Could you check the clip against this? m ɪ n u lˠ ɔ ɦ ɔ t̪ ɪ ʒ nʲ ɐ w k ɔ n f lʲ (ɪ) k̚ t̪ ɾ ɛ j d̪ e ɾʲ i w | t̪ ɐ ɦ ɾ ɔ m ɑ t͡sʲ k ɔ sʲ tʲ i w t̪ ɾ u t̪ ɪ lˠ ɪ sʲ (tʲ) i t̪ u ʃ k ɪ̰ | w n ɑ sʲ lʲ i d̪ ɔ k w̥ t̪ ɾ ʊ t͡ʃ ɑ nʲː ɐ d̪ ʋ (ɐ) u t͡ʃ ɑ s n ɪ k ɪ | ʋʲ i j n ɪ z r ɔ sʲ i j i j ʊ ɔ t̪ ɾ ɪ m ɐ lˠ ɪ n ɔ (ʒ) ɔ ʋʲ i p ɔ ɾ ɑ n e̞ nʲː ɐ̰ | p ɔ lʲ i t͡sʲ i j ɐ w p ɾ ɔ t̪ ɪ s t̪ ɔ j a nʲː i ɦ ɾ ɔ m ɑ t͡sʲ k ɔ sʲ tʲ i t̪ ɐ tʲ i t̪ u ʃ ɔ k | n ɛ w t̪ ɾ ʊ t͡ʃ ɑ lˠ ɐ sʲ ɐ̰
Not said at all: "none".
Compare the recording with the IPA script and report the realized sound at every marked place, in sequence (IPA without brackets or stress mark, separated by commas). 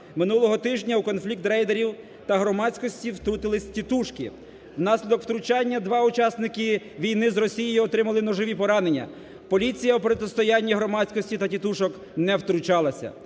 i, tʲ, ɑ, ʒ